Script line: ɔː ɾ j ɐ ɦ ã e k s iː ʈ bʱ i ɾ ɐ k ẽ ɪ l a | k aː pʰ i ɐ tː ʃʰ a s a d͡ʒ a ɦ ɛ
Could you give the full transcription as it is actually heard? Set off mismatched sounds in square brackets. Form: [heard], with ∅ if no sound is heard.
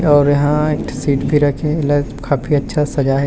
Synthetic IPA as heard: ɔː ɾ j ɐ ɦ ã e k s iː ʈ bʱ i ɾ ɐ [kʰ] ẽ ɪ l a | k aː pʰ i ɐ tː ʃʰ a s [ɐ] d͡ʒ a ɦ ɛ